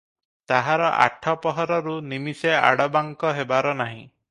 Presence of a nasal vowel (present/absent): present